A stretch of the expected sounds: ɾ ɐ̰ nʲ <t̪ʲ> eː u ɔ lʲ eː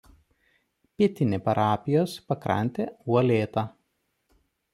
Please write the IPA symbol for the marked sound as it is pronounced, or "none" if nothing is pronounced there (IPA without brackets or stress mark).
t̪ʲ